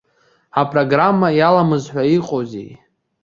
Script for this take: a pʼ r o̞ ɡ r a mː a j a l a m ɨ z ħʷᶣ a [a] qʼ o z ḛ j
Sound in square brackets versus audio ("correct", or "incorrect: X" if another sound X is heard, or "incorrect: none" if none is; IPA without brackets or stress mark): incorrect: i